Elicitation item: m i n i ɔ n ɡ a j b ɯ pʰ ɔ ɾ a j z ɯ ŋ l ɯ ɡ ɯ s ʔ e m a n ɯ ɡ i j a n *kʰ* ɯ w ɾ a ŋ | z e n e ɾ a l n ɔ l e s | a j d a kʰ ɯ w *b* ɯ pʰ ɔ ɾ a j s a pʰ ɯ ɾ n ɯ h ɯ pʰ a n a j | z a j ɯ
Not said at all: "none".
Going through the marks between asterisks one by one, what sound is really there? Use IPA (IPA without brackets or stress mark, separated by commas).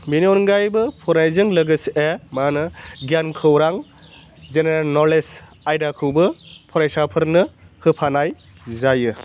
kʰ, b